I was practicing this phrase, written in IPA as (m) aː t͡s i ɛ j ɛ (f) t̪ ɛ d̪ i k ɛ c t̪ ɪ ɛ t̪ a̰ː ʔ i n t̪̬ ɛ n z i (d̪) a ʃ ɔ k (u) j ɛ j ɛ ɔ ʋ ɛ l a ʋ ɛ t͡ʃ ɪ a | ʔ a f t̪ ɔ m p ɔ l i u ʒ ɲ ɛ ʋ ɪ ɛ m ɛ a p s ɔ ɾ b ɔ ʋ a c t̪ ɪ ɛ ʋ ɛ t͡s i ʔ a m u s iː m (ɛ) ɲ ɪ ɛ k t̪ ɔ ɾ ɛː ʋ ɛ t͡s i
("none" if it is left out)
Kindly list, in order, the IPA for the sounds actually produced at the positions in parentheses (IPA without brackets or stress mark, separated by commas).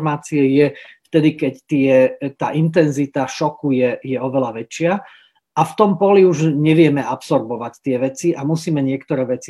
m, f, t̪, u, ɛ